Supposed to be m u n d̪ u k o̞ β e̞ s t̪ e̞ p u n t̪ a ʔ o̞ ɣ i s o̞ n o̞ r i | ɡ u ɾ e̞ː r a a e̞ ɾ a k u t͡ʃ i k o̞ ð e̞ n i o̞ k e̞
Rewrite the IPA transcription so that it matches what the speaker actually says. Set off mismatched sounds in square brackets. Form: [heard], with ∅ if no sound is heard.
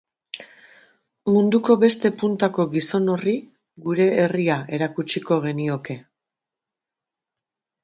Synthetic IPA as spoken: m u n d̪ u k o̞ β e̞ s t̪ e̞ p u n t̪ a [k] o̞ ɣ i s o̞ n o̞ r i | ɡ u ɾ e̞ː r [i] a e̞ ɾ a k u t͡ʃ i k o̞ [ɣ] e̞ n i o̞ k e̞